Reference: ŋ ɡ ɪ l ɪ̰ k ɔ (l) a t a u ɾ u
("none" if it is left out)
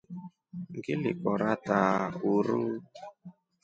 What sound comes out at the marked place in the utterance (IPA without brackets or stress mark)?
ɾ